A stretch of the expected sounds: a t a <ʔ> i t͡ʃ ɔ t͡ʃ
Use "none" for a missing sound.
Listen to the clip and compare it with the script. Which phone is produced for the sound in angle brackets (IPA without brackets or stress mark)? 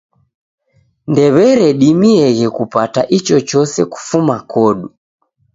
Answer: ʔ